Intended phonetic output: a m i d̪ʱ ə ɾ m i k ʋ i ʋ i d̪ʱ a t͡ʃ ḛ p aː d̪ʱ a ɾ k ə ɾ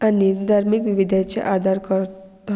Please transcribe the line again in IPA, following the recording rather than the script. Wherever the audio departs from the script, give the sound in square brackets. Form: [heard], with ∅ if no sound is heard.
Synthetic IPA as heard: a [n] i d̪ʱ [a] ɾ m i k ʋ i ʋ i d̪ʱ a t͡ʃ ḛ [ʔ] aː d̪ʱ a ɾ k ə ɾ